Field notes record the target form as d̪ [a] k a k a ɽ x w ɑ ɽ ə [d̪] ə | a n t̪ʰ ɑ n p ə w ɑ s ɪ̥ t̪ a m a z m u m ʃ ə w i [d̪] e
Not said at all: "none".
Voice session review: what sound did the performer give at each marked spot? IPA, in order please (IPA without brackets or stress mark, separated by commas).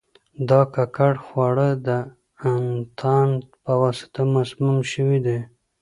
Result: ɑ, d̪, d̪